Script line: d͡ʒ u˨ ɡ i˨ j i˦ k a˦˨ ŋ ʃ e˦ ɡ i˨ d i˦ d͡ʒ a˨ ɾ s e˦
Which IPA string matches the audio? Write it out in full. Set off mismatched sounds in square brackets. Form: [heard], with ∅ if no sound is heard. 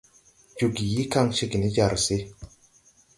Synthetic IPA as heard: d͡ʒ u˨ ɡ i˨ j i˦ k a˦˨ ŋ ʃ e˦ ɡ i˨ [n] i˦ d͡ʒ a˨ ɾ s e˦

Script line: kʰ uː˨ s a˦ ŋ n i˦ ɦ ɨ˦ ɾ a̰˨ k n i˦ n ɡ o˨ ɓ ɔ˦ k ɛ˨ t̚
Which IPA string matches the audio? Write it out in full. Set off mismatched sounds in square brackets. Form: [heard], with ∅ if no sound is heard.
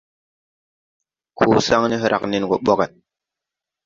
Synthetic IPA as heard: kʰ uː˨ s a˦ ŋ n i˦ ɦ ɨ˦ ɾ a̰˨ k n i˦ n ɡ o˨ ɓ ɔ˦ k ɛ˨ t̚

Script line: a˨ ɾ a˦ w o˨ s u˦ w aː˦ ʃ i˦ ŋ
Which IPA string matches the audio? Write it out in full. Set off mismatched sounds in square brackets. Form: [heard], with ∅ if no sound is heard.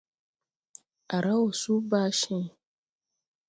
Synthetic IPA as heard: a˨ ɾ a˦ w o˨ s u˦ [b] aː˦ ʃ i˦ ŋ

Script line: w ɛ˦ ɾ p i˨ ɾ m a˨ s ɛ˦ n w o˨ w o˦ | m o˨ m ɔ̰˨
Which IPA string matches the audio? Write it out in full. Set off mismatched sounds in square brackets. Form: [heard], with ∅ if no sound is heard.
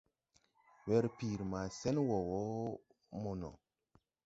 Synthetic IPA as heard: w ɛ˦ ɾ p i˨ ɾ m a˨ s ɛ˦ n w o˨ w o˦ | m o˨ [n] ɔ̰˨

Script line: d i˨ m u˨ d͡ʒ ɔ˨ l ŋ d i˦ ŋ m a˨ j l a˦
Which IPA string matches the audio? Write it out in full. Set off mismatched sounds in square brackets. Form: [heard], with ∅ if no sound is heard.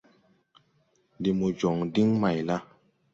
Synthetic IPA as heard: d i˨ m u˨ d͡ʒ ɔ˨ [∅] ŋ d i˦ ŋ m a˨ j l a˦

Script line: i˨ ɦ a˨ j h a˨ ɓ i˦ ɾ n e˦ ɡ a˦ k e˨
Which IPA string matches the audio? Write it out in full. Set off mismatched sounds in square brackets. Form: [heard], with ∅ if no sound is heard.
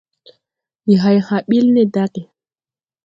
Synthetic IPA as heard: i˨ ɦ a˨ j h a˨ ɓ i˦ [l] n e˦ [d] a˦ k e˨

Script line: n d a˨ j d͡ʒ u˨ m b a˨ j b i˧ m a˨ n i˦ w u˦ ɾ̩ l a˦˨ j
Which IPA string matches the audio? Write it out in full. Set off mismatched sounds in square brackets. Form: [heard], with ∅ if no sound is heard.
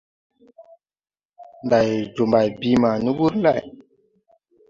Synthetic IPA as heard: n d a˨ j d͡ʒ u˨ m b a˨ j b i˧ m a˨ n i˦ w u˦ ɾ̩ l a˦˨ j

